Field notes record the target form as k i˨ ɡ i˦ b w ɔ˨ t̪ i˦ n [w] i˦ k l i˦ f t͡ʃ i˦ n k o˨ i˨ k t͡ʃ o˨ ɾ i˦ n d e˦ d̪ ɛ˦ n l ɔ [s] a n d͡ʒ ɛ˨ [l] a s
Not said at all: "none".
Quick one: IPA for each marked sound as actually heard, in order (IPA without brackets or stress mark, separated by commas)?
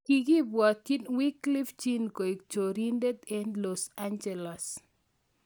w, s, l